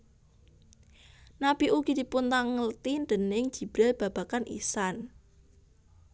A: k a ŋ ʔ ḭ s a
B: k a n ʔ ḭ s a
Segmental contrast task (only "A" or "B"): B